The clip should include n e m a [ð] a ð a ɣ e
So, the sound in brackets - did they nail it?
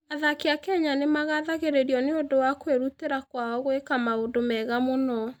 no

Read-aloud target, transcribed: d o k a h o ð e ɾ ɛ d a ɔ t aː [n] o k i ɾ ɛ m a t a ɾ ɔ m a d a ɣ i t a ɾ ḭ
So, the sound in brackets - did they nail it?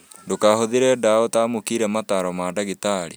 no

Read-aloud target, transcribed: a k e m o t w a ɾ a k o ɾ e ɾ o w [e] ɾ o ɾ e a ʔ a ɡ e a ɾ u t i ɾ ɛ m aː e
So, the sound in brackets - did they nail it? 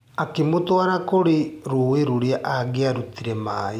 yes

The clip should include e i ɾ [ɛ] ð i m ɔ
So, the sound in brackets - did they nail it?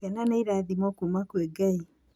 no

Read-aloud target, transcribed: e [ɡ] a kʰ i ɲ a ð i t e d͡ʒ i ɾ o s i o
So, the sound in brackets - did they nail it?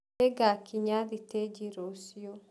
yes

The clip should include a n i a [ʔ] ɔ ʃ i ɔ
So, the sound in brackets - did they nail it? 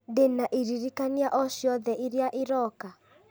yes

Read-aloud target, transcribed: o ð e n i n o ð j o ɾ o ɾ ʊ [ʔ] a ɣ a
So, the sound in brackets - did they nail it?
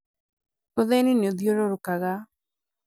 no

